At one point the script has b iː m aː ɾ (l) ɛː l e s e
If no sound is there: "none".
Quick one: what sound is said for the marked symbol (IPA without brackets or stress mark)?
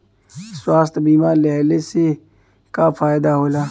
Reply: l